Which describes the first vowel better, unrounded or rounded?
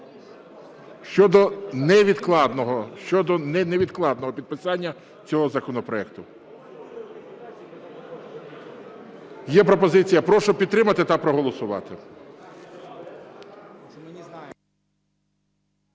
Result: rounded